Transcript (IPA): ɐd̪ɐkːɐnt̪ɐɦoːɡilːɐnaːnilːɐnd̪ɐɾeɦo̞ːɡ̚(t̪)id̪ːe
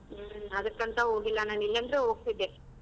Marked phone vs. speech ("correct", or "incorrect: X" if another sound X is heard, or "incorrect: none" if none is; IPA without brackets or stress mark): correct